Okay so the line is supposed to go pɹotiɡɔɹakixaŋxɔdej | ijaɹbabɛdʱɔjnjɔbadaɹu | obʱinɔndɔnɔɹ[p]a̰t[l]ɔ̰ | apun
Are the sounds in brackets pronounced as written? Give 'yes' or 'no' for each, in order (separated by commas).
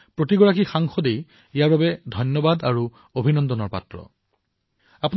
yes, no